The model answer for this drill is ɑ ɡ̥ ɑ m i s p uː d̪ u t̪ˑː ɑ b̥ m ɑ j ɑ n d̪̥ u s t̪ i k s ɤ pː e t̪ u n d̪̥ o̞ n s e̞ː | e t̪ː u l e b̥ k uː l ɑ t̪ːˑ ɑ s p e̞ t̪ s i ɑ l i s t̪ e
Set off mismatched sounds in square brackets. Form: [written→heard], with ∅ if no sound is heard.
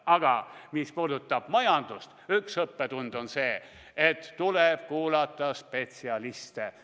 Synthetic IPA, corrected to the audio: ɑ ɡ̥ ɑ m i s p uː d̪ u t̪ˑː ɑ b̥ m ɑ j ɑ n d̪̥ u s t̪ [i→y] k s ɤ pː e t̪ u n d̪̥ o̞ n s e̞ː | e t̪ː u l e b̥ k uː l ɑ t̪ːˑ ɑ s p e̞ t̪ s i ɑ l i s t̪ e